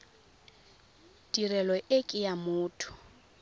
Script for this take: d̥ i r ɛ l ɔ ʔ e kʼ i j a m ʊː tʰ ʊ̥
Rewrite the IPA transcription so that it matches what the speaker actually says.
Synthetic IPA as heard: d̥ i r ɛ l ɔ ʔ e kʼ ɪ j a m ʊː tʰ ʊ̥